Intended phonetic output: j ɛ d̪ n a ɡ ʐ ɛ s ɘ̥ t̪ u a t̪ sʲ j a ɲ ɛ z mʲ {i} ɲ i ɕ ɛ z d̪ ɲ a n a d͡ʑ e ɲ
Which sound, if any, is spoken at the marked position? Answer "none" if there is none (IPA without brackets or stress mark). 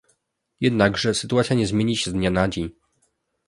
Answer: e